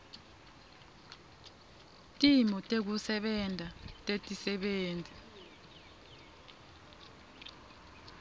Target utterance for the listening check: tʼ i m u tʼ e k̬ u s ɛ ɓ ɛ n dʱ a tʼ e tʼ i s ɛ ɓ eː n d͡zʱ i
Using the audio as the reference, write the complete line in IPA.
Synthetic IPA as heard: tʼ i m ɔ tʼ e k̬ u s ɛ ɓ ɛ n dʱ a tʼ e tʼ i s ɛ ɓ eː n d͡zʱ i